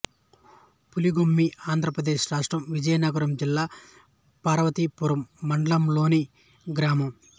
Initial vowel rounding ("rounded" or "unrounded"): rounded